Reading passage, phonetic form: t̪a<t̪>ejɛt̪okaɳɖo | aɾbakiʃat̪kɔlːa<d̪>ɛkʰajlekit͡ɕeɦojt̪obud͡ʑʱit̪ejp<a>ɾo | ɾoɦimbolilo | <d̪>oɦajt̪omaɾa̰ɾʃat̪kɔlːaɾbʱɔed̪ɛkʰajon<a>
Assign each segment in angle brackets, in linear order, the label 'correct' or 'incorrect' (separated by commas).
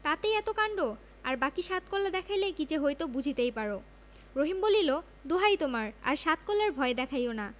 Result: correct, correct, correct, correct, correct